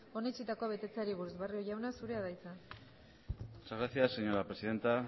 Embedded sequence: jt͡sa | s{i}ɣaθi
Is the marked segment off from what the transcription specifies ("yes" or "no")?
yes